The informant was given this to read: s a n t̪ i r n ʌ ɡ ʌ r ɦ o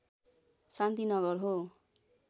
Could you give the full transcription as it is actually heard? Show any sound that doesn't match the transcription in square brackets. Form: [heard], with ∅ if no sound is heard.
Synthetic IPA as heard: s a n t̪ i [∅] n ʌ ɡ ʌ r ɦ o